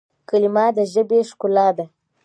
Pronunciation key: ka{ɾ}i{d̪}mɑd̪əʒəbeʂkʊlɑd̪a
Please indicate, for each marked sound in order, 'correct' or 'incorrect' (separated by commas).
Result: incorrect, incorrect